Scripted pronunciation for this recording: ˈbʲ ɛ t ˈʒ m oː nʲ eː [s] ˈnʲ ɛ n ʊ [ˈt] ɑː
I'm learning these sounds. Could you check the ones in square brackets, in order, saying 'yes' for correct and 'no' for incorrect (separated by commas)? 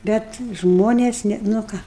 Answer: yes, no